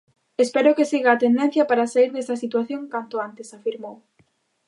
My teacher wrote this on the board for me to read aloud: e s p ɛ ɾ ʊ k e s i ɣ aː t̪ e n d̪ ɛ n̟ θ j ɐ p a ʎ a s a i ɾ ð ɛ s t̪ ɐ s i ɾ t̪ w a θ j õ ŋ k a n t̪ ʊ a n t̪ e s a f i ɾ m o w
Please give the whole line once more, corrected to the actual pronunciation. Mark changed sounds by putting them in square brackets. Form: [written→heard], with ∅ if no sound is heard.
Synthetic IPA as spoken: e s p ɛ ɾ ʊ k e s i ɣ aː t̪ e n d̪ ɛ n̟ θ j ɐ p a [ʎ→ɾ] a s a i ɾ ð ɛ s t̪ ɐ s i [ɾ→∅] t̪ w a θ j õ ŋ k a n t̪ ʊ a n t̪ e s a f i ɾ m o w